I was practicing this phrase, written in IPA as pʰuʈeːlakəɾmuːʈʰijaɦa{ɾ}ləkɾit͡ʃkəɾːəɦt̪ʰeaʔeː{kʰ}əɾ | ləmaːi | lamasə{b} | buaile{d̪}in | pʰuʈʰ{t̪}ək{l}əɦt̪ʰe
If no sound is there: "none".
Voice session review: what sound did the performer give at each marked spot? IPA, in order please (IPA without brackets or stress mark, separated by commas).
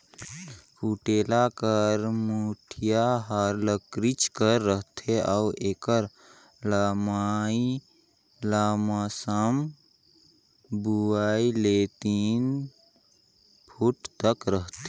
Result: ɾ, k, m, t̪, t̪, ɾ